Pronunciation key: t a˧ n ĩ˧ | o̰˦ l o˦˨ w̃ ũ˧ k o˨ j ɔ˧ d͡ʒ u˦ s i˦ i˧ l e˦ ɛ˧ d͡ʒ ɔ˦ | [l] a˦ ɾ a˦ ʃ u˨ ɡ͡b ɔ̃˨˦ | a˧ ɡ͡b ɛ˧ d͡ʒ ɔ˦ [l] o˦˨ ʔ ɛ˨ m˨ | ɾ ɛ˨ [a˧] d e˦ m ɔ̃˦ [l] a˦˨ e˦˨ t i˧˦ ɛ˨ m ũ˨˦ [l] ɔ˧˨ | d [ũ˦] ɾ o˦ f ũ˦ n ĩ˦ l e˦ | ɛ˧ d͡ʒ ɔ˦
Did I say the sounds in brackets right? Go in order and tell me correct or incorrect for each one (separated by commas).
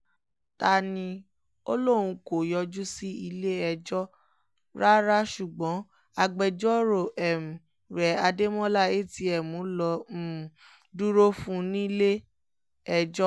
incorrect, incorrect, correct, correct, correct, incorrect